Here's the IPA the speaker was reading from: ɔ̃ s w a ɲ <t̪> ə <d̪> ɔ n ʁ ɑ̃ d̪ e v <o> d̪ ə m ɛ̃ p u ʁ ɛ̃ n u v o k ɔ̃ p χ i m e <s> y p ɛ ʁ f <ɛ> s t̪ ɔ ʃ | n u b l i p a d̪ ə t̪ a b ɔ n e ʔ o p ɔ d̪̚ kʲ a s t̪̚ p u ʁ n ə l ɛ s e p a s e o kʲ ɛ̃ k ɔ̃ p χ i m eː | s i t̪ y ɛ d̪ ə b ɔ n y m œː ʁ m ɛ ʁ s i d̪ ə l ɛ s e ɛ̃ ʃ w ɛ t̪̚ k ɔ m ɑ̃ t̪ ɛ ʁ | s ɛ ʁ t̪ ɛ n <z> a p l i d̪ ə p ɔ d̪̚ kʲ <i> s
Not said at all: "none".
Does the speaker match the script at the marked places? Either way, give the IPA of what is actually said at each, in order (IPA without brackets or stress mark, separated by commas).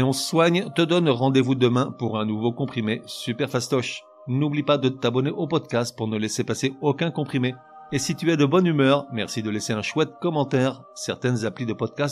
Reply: t̪, d̪, u, s, a, z, a